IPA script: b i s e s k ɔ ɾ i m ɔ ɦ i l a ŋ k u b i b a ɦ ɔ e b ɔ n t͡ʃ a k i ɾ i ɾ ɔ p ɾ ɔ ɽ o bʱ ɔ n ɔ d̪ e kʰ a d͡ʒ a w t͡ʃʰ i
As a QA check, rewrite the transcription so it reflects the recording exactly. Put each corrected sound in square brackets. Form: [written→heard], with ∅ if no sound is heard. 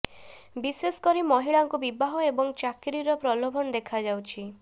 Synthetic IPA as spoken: b i s e s k ɔ ɾ i m ɔ ɦ i [l→ɭ] a ŋ k u b i b a ɦ ɔ e b ɔ [n→ŋ] t͡ʃ a k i ɾ i ɾ ɔ p ɾ ɔ [ɽ→l] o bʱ ɔ n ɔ d̪ e kʰ a d͡ʒ a w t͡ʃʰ i